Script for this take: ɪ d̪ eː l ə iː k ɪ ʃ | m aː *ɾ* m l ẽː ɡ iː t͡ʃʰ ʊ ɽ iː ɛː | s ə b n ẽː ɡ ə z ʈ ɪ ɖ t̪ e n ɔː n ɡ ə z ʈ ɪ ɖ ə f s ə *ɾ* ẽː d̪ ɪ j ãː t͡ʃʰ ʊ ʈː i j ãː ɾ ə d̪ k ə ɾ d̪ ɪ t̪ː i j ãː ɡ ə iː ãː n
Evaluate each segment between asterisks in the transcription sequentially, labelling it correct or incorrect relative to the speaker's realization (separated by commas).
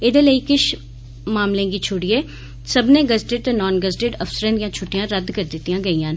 incorrect, correct